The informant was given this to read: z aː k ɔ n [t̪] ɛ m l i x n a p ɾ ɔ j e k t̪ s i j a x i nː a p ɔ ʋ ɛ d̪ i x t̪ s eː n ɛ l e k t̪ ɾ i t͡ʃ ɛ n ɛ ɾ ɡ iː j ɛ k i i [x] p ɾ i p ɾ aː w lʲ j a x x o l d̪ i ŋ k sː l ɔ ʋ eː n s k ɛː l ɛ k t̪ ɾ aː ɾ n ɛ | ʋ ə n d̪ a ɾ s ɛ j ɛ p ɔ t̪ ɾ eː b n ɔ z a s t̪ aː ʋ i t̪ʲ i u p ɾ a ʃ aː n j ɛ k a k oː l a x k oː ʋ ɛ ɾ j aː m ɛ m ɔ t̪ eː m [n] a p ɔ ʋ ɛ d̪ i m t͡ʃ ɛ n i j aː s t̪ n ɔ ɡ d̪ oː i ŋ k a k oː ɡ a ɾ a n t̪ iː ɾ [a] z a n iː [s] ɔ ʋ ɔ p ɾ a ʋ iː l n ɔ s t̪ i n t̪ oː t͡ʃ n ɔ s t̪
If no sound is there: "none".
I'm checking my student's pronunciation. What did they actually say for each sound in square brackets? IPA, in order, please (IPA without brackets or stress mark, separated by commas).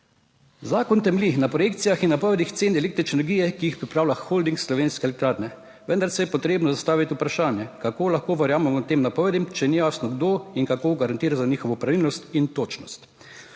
t̪, x, n, a, x